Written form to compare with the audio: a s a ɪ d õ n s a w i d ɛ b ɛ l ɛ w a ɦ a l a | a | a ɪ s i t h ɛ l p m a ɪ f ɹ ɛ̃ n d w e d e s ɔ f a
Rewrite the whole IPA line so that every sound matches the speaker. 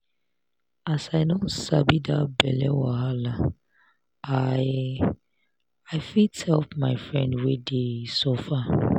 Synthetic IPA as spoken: a s a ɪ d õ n s a b i d a b ɛ l ɛ w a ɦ a l a | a | a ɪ f i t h ɛ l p m a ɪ f ɹ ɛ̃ n d w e d e s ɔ f a